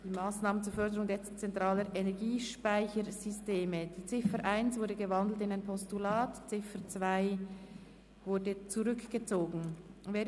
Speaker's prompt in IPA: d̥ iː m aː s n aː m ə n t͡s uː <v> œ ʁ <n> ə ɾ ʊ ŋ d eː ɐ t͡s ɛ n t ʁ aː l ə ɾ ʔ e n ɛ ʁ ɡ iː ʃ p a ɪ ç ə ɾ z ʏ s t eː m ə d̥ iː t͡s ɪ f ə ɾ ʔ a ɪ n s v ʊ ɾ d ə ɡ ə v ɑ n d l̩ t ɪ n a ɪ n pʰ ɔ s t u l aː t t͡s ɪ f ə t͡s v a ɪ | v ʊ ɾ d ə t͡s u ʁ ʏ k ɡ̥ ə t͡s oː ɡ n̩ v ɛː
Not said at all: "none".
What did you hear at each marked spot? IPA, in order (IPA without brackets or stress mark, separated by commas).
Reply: f, d